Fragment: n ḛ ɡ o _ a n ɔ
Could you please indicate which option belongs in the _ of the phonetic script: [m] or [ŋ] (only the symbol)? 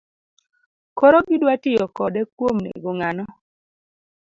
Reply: ŋ